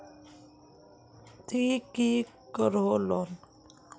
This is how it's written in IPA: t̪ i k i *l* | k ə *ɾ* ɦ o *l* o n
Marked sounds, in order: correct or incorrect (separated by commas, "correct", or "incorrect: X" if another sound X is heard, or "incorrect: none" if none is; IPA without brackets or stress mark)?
incorrect: none, correct, correct